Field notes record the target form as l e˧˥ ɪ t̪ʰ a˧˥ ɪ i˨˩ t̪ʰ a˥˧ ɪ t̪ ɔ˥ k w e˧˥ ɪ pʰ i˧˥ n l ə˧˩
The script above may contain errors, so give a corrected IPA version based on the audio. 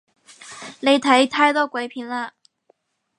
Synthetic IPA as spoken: l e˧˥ ɪ t̪ʰ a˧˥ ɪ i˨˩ t̪ʰ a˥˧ ɪ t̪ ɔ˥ k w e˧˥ ɪ pʰ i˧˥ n l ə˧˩